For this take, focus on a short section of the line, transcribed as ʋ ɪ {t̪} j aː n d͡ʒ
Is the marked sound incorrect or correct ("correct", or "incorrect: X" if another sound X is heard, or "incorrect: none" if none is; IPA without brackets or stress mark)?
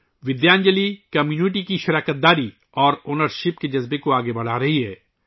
incorrect: d̪